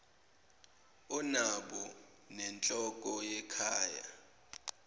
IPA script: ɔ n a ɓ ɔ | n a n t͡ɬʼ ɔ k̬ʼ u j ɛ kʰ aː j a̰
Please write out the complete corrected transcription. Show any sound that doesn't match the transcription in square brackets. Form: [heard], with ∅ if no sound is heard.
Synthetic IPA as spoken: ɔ n a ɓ ɔ | n [ɛ] n t͡ɬʼ ɔ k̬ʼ [ɔ] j ɛ kʰ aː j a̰